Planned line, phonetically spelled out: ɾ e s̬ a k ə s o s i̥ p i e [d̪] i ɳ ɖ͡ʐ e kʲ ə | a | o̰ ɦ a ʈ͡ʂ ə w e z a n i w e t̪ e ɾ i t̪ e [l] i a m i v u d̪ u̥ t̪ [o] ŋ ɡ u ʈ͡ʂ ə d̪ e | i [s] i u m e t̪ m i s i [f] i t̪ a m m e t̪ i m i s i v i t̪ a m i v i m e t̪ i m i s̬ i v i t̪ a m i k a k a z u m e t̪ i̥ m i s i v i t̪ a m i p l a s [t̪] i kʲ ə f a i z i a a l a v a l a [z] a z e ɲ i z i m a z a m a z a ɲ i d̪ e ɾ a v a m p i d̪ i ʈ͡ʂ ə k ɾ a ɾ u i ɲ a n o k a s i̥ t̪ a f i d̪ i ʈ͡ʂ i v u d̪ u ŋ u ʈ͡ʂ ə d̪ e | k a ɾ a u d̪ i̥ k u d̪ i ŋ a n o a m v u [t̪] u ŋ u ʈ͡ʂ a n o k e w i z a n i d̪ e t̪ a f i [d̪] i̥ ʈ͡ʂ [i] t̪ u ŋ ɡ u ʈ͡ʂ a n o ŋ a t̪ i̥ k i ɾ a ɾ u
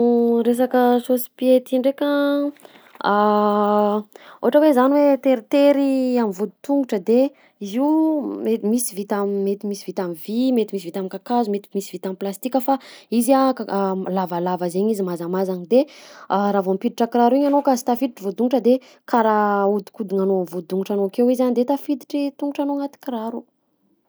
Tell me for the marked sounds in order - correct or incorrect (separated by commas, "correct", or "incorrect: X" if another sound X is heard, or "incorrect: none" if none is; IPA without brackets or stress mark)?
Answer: incorrect: t̪, incorrect: ɾ, incorrect: u, incorrect: z, incorrect: v, correct, incorrect: v, incorrect: d̪, correct, correct